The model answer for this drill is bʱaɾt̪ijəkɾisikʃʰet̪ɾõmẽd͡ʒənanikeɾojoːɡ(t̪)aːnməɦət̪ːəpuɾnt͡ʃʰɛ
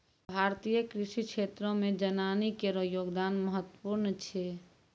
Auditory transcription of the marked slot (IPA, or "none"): d̪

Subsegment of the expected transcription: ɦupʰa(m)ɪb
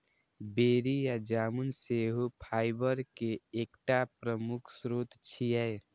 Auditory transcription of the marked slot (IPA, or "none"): none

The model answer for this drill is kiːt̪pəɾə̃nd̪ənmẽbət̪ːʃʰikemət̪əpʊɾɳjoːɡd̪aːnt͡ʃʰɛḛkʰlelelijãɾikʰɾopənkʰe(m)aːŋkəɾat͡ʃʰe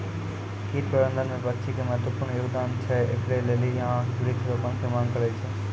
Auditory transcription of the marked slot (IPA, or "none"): m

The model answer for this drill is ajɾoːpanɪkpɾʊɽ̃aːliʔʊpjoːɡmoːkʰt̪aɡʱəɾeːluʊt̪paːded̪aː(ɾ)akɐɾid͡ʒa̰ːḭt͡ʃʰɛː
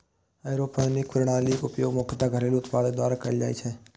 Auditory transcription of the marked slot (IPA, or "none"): ɾ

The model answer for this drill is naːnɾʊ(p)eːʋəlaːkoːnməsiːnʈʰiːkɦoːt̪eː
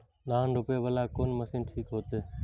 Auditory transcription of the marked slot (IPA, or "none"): p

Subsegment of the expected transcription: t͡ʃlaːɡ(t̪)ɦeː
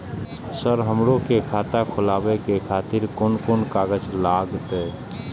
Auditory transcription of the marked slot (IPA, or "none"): t̪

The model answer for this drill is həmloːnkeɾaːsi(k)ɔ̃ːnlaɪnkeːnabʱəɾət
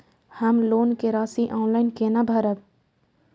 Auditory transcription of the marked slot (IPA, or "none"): ʔ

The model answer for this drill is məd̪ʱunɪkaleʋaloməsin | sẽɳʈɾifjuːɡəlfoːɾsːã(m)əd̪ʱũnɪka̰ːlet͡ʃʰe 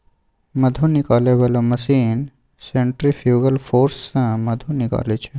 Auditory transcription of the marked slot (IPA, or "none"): m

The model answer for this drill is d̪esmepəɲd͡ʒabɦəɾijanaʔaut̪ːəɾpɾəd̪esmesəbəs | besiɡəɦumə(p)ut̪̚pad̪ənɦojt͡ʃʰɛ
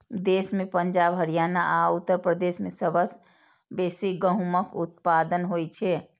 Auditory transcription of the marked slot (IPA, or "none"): k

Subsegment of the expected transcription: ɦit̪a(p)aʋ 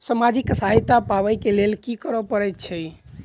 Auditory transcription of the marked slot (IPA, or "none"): p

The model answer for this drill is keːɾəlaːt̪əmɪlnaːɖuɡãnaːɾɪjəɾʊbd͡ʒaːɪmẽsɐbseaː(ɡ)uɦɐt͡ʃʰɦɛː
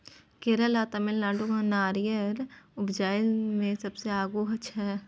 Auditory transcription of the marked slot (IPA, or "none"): ɡ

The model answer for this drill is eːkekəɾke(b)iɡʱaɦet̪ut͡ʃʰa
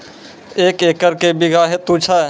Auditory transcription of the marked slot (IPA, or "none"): b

